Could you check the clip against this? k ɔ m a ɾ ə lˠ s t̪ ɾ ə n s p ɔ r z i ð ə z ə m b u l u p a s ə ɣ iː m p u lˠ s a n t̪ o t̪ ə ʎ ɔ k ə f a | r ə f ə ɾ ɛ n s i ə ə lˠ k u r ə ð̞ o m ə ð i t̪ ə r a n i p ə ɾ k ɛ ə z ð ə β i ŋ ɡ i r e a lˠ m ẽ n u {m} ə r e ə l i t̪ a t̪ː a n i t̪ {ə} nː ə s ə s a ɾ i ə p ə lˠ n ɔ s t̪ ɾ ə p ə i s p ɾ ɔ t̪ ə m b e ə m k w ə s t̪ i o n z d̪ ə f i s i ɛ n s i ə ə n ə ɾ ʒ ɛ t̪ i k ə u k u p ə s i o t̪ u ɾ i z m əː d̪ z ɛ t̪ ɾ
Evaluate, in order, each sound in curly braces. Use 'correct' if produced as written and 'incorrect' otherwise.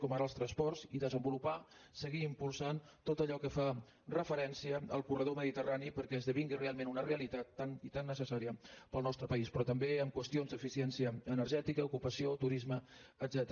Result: incorrect, incorrect

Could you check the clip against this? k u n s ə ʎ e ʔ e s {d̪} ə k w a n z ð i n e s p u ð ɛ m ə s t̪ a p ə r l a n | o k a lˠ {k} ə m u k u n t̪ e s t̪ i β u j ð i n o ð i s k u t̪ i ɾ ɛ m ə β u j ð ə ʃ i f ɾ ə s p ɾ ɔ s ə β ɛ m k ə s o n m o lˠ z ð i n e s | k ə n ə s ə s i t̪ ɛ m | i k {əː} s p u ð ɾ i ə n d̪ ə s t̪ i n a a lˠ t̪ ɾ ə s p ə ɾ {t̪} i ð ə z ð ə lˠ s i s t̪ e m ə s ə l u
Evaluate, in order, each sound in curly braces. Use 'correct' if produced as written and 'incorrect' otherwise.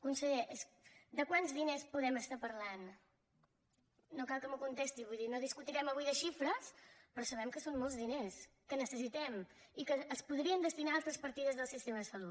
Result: correct, correct, correct, correct

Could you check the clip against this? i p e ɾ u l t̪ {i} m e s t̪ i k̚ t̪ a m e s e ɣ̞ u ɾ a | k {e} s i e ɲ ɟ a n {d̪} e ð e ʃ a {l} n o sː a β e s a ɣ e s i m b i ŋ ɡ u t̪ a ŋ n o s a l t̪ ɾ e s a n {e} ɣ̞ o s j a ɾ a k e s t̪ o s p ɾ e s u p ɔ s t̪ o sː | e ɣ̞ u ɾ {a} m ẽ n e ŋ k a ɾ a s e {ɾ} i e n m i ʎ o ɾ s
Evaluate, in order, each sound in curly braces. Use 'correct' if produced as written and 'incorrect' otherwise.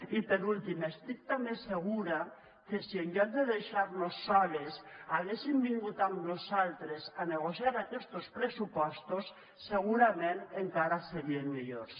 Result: correct, correct, correct, incorrect, correct, correct, correct

